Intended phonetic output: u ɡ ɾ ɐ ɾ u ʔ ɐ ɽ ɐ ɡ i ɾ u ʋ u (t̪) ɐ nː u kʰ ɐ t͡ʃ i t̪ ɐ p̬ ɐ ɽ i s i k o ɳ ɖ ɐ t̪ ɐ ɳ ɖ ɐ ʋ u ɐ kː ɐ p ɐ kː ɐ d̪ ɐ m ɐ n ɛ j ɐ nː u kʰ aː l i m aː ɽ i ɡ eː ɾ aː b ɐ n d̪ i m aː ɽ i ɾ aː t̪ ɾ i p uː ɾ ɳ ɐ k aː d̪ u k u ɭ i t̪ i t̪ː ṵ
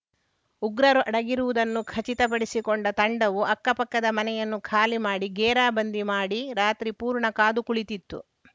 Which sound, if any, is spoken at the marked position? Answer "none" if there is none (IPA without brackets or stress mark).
d̪